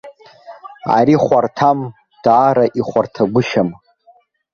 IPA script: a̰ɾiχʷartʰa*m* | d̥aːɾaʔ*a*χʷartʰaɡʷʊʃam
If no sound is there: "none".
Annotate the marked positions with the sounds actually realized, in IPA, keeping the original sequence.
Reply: m, i

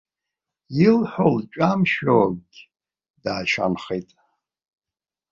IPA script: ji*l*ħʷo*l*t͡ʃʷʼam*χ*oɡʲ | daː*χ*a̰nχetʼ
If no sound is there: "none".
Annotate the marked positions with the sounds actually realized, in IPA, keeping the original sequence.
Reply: l, l, ʃ, ʃ

